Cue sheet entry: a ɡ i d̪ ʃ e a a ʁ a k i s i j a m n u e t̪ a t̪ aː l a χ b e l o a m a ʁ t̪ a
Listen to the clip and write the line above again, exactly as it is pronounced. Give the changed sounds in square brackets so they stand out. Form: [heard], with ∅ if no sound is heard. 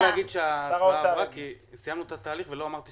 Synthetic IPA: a ɡ i d̪ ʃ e a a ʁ a k i s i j a m n u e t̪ a t̪ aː l [i] χ [v] e l o a m a ʁ t̪ [i]